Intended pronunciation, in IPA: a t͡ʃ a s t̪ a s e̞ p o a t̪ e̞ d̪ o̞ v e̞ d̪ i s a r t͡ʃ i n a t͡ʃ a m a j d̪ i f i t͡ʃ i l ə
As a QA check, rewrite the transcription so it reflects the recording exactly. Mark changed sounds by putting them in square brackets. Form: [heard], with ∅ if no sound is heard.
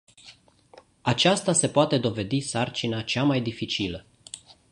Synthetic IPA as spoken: a t͡ʃ a s t̪ a s e̞ p o a t̪ e̞ d̪ o̞ v e̞ d̪ i s a r t͡ʃ i n a t͡ʃ a m a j d̪ i f i t͡ʃ i l ə